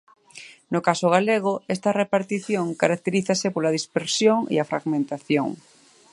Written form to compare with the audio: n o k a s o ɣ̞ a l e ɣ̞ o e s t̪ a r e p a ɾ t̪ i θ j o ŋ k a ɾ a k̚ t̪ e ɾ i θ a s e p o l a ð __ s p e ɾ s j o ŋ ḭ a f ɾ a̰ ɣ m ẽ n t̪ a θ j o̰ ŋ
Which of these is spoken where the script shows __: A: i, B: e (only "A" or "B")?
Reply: A